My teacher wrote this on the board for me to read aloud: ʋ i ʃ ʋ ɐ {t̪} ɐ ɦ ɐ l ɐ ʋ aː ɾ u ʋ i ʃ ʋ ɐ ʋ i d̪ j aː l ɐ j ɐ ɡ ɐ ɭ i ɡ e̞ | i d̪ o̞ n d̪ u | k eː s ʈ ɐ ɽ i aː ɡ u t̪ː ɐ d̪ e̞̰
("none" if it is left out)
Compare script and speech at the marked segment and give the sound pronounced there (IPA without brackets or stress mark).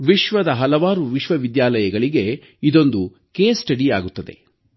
d̪